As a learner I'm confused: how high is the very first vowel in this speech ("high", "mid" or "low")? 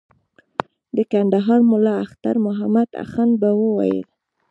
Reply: mid